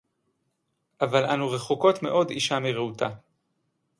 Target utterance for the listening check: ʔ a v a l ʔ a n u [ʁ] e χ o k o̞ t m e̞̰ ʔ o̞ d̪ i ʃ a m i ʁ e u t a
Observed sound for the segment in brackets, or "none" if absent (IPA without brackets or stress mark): ʁ